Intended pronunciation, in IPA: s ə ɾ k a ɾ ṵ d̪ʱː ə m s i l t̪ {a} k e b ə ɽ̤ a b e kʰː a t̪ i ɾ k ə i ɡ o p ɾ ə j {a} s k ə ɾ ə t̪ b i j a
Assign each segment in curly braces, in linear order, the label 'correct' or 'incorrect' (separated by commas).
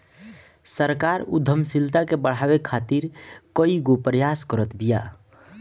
correct, correct